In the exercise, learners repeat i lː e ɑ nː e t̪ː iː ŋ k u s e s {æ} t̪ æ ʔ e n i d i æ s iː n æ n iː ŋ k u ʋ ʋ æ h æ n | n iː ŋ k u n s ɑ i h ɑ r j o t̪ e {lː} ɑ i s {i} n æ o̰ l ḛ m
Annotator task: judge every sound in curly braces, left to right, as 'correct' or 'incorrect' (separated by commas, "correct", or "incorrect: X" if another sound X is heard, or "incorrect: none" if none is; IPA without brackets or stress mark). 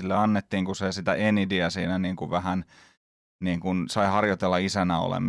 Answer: incorrect: i, correct, incorrect: æ